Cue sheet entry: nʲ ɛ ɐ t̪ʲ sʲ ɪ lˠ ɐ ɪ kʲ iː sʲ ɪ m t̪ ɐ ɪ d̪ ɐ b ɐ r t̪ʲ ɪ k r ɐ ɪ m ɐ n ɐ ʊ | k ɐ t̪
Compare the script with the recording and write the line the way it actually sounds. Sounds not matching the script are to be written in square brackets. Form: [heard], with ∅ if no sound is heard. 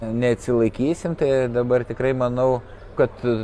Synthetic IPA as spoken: nʲ ɛ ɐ t̪ʲ sʲ ɪ lˠ ɐ ɪ kʲ iː sʲ ɪ m t̪ ɐ ɪ d̪ ɐ b ɐ r t̪ʲ ɪ k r ɐ ɪ m ɐ n ɐ ʊ | k ɐ t̪